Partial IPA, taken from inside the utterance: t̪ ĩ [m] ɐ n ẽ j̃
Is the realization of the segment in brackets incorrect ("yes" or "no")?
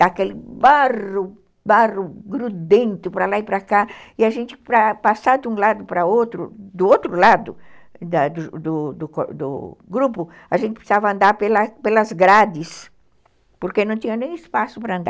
yes